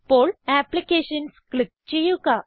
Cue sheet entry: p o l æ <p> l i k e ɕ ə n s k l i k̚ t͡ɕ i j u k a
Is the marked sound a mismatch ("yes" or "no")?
no